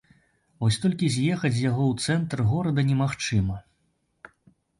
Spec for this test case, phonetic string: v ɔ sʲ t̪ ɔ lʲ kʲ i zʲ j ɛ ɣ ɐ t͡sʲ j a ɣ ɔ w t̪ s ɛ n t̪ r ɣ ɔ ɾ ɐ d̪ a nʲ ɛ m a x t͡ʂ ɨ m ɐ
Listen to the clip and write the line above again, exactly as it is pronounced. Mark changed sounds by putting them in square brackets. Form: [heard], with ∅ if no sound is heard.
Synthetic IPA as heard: v ɔ sʲ t̪ ɔ lʲ kʲ i zʲ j ɛ [x] ɐ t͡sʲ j a ɣ ɔ w t̪ s ɛ n t̪ r ɣ ɔ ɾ ɐ d̪ [ɐ] nʲ ɛ m a x t͡ʂ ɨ m ɐ